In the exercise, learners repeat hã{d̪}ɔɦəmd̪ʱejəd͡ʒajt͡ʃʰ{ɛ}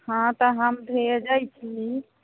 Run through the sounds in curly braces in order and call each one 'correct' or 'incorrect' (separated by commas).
incorrect, incorrect